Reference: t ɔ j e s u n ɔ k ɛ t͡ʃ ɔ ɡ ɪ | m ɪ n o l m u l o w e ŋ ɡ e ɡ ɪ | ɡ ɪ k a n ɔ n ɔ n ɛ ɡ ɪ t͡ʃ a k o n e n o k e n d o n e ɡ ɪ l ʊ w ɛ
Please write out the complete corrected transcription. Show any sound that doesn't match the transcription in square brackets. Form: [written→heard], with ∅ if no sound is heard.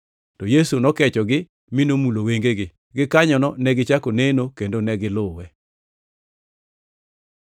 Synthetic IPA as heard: t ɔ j e s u n ɔ k ɛ t͡ʃ ɔ ɡ ɪ | m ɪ n o [l→∅] m u l o w e ŋ ɡ e ɡ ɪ | ɡ ɪ k a [n→ɲ] ɔ n ɔ n ɛ ɡ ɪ t͡ʃ a k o n e n o k e n d o n [e→ɛ] ɡ ɪ l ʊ w ɛ